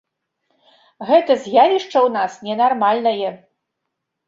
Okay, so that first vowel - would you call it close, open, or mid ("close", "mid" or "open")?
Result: mid